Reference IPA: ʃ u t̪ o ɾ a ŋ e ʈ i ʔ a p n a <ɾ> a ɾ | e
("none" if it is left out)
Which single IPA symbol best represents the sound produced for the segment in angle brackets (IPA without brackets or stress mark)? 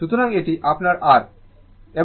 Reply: ɾ